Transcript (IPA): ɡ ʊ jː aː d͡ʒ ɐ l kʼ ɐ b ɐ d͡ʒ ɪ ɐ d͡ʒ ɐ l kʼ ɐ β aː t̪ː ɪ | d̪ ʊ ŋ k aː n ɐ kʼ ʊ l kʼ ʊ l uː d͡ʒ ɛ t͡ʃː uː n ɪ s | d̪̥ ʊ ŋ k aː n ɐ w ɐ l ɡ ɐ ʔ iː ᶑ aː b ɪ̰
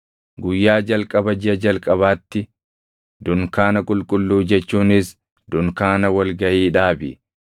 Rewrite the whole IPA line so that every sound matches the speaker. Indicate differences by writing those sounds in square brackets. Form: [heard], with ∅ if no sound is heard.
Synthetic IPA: ɡ ʊ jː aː d͡ʒ ɐ l kʼ ɐ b ɐ d͡ʒ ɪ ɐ d͡ʒ ɐ l kʼ ɐ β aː t̪ː ɪ | d̪ ʊ ŋ k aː n ɐ kʼ ʊ l kʼ ʊ [lː] uː d͡ʒ ɛ t͡ʃː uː n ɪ s | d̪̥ ʊ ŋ k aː n ɐ w ɐ l ɡ ɐ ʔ iː ᶑ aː b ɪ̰